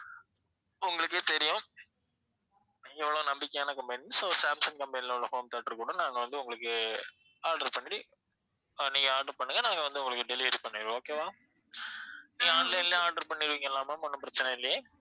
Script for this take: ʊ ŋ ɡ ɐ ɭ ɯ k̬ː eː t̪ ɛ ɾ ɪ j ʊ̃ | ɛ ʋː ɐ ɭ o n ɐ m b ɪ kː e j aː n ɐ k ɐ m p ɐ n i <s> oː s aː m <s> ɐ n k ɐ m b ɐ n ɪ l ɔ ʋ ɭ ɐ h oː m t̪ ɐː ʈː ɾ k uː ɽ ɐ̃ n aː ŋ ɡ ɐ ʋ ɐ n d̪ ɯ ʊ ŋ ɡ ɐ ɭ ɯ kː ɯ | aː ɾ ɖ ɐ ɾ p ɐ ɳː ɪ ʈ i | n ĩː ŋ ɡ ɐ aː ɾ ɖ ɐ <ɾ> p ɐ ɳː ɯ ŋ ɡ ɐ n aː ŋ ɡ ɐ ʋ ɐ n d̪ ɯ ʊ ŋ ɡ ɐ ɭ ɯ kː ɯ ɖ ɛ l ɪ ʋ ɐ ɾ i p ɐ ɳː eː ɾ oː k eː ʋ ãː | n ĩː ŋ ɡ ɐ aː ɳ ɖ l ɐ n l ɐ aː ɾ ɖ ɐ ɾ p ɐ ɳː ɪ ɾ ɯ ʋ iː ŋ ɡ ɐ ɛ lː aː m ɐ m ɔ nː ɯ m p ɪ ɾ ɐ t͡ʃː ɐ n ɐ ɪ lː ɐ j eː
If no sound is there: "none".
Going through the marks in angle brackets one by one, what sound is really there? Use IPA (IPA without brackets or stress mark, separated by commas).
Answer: s, s, ɾ